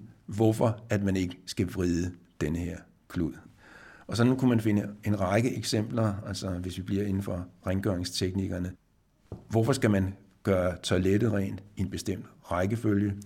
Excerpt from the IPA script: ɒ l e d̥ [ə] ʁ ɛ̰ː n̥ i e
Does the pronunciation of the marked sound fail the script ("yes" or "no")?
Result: no